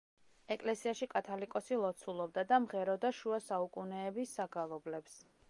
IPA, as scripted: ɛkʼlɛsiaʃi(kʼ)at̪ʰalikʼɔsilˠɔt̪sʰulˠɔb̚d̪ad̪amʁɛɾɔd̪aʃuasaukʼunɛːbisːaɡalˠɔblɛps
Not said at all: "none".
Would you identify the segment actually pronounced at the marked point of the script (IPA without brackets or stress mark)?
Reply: kʼ